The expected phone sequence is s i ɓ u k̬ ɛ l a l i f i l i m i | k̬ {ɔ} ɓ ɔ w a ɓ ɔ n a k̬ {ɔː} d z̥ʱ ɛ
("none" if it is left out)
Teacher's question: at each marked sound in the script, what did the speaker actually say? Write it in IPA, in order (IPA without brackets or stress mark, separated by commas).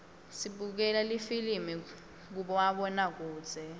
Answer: u, uː